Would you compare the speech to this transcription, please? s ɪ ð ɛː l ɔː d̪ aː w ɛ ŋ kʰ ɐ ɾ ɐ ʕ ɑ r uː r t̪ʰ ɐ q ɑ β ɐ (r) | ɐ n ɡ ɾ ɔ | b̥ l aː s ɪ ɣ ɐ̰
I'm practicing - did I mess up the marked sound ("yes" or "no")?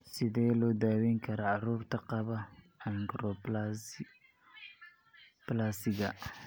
yes